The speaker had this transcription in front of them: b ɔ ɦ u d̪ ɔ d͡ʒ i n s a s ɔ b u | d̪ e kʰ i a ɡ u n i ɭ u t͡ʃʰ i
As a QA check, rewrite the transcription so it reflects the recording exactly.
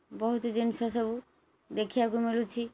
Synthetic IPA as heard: b ɔ ɦ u t̪ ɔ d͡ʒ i n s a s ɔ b u | d̪ e kʰ i a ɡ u m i l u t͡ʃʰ i